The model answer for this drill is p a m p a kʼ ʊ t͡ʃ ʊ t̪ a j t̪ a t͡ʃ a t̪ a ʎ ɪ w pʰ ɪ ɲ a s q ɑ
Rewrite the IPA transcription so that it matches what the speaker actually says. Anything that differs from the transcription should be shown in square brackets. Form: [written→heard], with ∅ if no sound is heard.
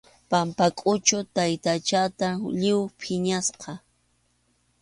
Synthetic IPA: p a m p a kʼ ʊ t͡ʃ ʊ t̪ a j t̪ a t͡ʃ a t̪ a ʎ ɪ w pʰ ɪ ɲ a s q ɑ